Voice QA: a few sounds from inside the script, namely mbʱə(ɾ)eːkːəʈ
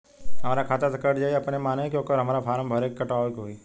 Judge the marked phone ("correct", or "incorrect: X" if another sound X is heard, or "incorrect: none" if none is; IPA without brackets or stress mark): correct